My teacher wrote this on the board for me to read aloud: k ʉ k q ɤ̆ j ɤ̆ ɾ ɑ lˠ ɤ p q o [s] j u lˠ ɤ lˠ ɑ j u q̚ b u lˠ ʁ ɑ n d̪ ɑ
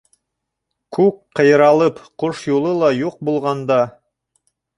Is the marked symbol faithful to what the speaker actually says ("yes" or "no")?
no